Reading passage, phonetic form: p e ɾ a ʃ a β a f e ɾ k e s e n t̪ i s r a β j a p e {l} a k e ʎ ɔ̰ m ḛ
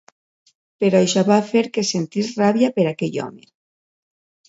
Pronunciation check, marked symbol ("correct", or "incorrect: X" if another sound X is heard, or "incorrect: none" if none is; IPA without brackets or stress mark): incorrect: ɾ